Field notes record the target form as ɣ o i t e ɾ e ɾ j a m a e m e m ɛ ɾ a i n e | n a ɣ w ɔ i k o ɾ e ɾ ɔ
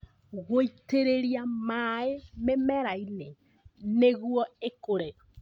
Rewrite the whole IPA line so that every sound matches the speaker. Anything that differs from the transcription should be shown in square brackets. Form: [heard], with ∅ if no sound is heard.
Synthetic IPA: ɣ o i t e ɾ e ɾ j a m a e m e m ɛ ɾ a i n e | n [e] ɣ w ɔ [e] k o ɾ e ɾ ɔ